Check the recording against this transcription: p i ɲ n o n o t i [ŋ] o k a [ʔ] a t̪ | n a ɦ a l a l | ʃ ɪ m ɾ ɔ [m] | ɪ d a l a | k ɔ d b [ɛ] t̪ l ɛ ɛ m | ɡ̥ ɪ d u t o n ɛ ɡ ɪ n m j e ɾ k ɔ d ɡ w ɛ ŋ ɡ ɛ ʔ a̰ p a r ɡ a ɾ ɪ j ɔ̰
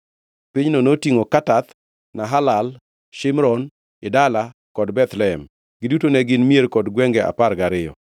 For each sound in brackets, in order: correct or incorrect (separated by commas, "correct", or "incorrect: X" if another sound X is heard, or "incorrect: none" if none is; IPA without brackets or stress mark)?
correct, incorrect: t, incorrect: n, correct